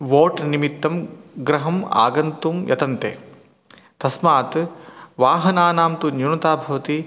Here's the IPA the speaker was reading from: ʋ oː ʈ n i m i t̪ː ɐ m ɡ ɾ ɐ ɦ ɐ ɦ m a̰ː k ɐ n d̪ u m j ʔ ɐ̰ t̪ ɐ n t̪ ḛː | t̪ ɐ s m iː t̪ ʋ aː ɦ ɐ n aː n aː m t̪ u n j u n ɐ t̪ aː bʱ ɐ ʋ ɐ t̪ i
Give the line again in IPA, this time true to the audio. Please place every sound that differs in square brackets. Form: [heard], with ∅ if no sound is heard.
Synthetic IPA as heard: ʋ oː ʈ n i m i t̪ː ɐ m ɡ ɾ ɐ ɦ ɐ [∅] m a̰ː [ɡ] ɐ n [t̪] u m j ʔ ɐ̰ t̪ ɐ n t̪ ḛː | t̪ ɐ s m [aː] t̪ ʋ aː ɦ ɐ n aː n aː m t̪ u n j u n ɐ t̪ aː bʱ ɐ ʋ ɐ t̪ i

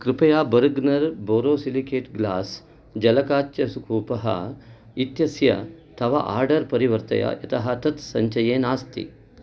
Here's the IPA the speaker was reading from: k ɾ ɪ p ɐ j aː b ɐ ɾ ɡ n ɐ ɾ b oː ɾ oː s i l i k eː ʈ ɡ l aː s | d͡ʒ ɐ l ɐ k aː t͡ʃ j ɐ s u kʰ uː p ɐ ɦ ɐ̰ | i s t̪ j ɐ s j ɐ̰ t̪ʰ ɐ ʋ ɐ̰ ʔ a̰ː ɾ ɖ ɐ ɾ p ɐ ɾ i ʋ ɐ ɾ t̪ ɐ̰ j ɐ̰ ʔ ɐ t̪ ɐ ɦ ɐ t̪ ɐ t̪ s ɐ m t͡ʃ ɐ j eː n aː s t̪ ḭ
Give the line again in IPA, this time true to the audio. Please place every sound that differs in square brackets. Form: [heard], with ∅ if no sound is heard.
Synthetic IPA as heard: k ɾ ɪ p ɐ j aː b ɐ ɾ ɡ n ɐ ɾ b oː ɾ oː s i l i k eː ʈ ɡ l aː s | d͡ʒ ɐ l ɐ k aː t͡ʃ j ɐ s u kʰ uː p ɐ ɦ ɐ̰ | i [∅] t̪ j ɐ s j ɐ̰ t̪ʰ ɐ ʋ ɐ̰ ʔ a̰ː ɾ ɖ ɐ ɾ p ɐ ɾ i ʋ ɐ ɾ t̪ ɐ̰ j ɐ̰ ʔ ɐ t̪ ɐ ɦ ɐ t̪ ɐ t̪ s ɐ [ɲ] t͡ʃ ɐ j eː n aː s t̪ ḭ

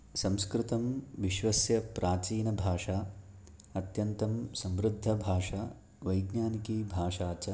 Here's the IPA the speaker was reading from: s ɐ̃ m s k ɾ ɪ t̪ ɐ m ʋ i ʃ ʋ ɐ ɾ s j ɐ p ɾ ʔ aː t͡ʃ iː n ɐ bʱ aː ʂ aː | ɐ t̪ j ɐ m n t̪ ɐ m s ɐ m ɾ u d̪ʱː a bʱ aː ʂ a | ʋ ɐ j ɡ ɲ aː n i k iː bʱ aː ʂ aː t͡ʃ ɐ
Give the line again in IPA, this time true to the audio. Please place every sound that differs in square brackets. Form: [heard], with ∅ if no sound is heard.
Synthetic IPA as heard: s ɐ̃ m s k ɾ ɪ t̪ ɐ m ʋ i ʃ ʋ ɐ [∅] s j ɐ p ɾ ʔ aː t͡ʃ iː n ɐ bʱ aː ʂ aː | ɐ t̪ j ɐ [∅] n t̪ ɐ m s ɐ m ɾ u d̪ʱː [ɐ] bʱ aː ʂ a | ʋ ɐ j ɡ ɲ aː n i k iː bʱ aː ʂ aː t͡ʃ ɐ

